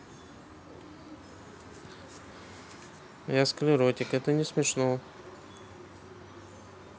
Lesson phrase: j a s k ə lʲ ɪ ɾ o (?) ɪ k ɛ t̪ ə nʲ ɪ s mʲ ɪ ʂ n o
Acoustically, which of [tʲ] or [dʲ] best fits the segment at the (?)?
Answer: tʲ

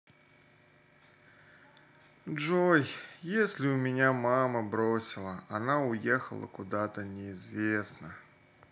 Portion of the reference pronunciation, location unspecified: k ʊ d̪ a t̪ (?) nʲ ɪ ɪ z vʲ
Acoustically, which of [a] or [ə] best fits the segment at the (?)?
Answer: ə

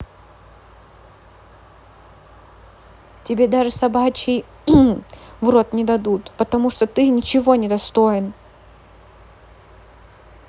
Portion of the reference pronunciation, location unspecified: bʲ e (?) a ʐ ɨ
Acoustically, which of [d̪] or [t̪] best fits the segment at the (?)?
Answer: d̪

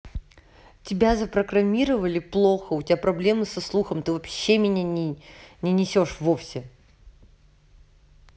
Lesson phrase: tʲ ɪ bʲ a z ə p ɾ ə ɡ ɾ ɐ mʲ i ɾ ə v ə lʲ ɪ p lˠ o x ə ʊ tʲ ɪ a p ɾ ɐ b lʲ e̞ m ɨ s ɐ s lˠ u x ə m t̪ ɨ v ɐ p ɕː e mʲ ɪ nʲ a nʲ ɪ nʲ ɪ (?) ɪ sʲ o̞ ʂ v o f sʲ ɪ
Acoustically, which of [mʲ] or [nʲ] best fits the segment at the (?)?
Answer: nʲ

